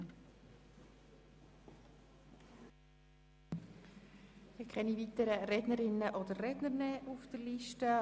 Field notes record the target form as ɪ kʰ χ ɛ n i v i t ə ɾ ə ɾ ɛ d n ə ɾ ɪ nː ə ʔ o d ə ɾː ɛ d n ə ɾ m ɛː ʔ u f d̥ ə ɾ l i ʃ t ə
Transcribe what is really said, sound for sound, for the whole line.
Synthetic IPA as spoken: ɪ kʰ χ ɛ n i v i t ə ɾ ə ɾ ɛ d n ə ɾ ɪ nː ə ʔ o d ə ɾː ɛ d n ə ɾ n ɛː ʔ u f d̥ ə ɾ l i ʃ t ə

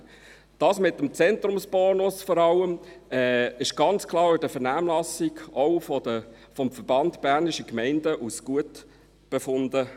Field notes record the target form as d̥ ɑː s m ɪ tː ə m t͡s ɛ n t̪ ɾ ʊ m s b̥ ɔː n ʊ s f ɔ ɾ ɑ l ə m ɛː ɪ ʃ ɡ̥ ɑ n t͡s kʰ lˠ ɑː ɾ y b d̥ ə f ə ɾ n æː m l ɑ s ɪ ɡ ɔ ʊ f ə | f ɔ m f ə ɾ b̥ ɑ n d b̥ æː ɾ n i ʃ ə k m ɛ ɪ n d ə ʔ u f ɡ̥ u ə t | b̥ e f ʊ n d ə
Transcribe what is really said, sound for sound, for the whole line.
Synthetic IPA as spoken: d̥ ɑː s m ɪ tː ə m t͡s ɛ n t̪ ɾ ʊ m s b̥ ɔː n ʊ s f ɔ ɾ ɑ l ə m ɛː ɪ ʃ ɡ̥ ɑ n t͡s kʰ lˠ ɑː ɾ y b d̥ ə f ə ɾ n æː m l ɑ s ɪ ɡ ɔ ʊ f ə | f ɔ m f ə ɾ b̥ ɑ n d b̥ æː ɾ n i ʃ ə k m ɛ ɪ n d ə ʔ u s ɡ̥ u ə t | b̥ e f ʊ n d ə

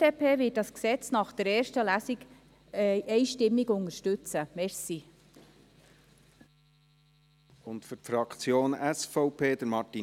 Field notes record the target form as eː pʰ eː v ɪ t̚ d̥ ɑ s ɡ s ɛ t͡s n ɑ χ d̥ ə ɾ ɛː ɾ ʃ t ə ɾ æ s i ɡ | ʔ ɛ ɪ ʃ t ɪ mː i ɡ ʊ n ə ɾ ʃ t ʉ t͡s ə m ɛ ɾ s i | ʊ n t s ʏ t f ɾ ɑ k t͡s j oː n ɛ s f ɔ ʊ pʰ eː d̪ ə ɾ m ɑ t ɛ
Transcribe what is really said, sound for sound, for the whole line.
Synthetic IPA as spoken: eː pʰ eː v ɪ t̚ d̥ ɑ s k s ɛ t͡s n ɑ χ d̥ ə ɾ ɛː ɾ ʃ t ə l æ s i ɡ | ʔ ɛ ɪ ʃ t ɪ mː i ɡ ʊ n ə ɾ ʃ t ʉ t͡s ə m ɛ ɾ s i | ʊ n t f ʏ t f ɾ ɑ k t͡s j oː n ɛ s f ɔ ʊ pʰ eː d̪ ə ɾ m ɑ t i

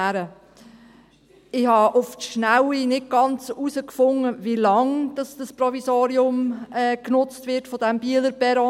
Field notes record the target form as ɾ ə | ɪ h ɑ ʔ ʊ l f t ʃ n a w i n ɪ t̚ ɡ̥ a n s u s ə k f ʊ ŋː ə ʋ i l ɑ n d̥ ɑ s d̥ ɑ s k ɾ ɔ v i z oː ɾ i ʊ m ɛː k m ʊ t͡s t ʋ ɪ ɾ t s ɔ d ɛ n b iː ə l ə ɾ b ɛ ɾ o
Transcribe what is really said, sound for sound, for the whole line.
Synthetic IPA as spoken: ɾ ə | ɪ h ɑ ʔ ʊ f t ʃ n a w i n ɪ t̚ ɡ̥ ɑ n t͡s u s ə k f ʊ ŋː ə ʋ i l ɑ ŋ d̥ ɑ s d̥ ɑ s p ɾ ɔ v i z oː ɾ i ʊ m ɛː k n ʊ t͡s t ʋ ɪ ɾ t f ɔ d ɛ m b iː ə l ə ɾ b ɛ ɾ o

